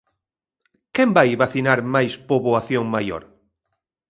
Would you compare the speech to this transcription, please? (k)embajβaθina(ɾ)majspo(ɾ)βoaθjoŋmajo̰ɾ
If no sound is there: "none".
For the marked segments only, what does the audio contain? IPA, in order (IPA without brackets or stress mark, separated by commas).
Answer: k, ɾ, none